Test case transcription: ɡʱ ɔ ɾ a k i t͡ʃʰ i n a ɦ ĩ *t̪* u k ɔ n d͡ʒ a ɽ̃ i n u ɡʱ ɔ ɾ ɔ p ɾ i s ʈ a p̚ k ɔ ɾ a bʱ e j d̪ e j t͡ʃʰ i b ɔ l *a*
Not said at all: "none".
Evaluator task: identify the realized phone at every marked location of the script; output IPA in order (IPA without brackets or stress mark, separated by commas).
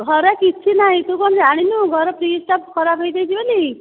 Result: t̪, i